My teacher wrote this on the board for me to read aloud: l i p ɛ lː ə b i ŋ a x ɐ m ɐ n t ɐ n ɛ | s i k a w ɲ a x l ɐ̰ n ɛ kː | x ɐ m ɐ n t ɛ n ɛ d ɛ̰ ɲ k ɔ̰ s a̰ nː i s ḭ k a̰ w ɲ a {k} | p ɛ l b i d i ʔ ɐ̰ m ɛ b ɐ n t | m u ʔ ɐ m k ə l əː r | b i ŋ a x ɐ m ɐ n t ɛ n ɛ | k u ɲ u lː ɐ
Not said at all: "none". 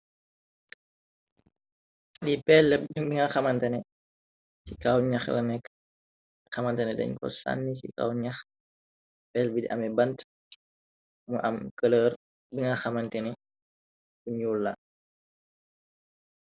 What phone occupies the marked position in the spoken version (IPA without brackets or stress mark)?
x